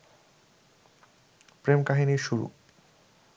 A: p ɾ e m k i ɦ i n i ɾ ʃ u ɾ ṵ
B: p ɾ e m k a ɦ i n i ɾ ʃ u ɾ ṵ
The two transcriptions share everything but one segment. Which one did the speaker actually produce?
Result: B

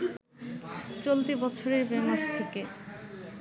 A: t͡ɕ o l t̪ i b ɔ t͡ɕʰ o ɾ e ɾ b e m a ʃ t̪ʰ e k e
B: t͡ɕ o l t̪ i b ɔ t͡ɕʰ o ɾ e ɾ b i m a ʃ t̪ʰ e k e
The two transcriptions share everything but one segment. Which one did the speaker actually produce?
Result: A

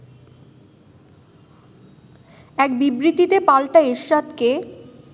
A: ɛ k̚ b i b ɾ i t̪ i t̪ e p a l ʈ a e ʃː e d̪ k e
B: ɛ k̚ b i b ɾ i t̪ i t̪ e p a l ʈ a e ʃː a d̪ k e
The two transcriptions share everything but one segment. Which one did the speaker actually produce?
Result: B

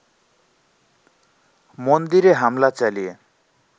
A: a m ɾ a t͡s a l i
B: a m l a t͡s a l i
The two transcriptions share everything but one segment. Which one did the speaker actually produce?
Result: B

